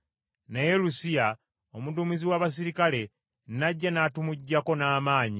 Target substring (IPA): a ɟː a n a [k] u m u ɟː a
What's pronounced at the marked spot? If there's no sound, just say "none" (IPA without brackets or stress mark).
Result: t